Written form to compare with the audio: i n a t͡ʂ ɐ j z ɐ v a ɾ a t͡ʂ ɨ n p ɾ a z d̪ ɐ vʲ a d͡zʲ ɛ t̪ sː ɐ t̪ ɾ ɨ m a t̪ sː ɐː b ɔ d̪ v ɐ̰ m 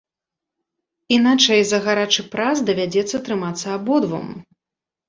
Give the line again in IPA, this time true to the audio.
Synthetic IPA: i n a t͡ʂ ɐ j z ɐ ɣ a ɾ a t͡ʂ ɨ p ɾ a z d̪ ɐ vʲ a d͡zʲ ɛ t̪ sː ɐ t̪ ɾ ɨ m a t̪ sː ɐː b ɔ d̪ v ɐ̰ m